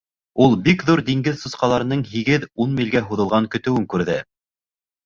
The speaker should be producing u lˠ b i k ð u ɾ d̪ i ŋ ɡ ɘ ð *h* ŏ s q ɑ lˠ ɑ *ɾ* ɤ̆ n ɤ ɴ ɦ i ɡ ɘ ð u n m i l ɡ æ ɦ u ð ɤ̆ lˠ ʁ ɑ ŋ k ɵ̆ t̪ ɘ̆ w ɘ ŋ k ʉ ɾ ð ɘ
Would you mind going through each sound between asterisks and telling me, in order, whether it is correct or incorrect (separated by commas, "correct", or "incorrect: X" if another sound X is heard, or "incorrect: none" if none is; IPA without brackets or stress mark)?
incorrect: s, correct